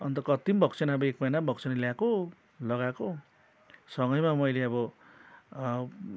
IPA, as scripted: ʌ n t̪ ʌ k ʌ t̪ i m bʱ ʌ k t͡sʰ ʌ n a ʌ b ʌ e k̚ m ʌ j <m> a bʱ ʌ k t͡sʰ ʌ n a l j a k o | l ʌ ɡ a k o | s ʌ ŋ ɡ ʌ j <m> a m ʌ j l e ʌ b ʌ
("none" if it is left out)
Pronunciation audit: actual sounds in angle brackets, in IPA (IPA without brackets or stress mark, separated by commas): n, m